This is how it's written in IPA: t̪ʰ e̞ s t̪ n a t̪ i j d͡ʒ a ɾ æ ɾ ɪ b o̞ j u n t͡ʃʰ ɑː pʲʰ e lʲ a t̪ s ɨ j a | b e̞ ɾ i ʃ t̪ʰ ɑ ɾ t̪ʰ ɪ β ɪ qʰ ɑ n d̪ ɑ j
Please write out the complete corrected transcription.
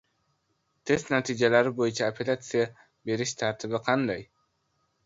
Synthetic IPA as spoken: t̪ʰ e̞ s t̪ n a t̪ i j d͡ʒ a l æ ɾ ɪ b o̞ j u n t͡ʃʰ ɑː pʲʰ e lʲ a t̪ s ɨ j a | b e̞ ɾ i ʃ t̪ʰ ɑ ɾ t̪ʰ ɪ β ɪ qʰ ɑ n d̪ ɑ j